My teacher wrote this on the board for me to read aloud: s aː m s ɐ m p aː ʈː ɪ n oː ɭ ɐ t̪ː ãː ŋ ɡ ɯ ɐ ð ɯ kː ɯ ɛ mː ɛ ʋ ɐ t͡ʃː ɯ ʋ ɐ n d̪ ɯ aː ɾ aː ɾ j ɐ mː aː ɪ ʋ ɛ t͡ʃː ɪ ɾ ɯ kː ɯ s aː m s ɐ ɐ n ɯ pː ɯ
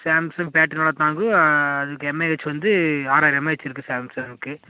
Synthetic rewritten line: s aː m s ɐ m p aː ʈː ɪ n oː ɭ ɐ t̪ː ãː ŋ ɡ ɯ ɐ ð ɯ kː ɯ ɛ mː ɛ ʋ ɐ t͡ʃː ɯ ʋ ɐ n d̪ ɯ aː ɾ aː ɾ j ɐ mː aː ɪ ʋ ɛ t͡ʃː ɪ ɾ ɯ kː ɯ s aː m s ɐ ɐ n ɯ kː ɯ